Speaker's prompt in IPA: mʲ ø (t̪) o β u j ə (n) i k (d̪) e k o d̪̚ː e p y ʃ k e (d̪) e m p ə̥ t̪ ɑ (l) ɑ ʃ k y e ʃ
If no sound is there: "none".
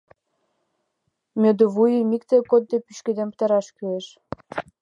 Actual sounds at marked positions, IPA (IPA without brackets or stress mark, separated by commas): d̪, m, t̪, d̪, ɾ